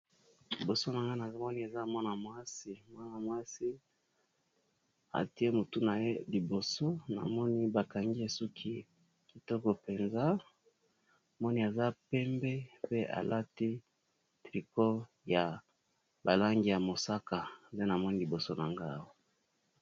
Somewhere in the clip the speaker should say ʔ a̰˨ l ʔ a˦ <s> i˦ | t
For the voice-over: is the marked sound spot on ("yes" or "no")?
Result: no